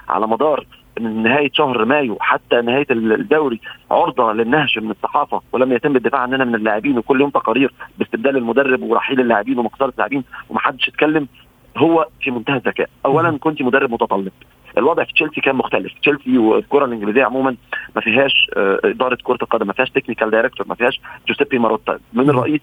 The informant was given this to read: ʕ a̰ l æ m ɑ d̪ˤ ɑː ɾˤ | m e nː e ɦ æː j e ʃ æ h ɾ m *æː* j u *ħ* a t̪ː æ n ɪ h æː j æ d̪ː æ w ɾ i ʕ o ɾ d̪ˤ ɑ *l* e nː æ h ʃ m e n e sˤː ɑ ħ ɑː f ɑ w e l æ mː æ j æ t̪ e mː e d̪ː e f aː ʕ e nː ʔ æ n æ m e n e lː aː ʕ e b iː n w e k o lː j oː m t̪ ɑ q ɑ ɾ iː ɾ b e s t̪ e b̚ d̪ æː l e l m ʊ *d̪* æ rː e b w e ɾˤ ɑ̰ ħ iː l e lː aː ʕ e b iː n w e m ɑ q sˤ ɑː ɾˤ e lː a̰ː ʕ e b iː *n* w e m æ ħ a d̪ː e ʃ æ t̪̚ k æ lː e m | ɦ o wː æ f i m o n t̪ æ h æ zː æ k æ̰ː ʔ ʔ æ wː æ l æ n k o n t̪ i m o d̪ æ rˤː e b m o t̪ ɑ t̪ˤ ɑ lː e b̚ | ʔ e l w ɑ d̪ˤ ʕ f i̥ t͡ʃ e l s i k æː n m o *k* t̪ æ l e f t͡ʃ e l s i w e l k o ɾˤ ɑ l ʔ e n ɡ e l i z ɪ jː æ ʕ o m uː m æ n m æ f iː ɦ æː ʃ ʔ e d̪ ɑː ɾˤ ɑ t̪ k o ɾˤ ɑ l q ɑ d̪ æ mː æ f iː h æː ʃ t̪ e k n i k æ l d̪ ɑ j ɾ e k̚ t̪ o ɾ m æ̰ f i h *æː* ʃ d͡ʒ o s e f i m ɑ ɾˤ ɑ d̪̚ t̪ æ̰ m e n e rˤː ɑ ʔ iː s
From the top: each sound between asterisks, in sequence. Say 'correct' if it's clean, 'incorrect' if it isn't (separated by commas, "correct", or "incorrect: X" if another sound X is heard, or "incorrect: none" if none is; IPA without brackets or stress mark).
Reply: correct, correct, correct, correct, correct, incorrect: x, correct